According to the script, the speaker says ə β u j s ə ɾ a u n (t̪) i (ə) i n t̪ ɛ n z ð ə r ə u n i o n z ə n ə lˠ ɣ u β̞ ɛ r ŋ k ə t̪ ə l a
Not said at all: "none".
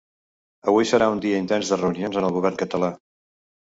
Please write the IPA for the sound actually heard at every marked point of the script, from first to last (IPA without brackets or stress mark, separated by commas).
d̪, ə